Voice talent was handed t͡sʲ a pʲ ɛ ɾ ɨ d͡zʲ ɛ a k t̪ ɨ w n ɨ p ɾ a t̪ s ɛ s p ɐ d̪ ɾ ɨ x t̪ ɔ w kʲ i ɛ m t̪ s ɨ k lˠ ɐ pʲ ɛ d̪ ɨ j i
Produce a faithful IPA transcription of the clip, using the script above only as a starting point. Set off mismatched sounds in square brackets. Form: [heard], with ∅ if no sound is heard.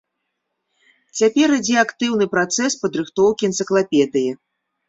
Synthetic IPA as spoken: t͡sʲ a pʲ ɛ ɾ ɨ d͡zʲ ɛ a k t̪ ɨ w n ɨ p ɾ a t̪ s ɛ s p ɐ d̪ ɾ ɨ x t̪ ɔ w kʲ i ɛ [n] t̪ s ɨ k lˠ [a] pʲ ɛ d̪ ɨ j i